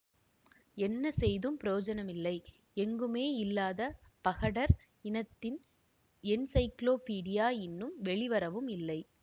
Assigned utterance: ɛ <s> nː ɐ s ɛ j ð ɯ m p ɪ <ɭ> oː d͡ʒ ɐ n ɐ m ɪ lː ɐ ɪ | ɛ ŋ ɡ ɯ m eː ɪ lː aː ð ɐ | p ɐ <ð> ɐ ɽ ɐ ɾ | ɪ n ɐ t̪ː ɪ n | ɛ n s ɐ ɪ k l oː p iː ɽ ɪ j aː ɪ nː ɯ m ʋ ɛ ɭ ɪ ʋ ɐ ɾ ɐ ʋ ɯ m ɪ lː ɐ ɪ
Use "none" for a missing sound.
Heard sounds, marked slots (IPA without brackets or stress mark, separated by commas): none, ɾ, ɣ